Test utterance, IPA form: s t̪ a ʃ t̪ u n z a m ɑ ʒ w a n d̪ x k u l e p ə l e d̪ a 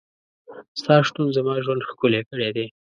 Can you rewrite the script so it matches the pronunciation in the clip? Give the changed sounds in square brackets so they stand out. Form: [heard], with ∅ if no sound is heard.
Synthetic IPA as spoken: s t̪ [ɑ] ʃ t̪ u n z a m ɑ ʒ w a n d̪ x k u l e [k] ə [ɽ] e d̪ [e]